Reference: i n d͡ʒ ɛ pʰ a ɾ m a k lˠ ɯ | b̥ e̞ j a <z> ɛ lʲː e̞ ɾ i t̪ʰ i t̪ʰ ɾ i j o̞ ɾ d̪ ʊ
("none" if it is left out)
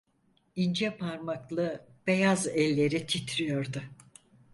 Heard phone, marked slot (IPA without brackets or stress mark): z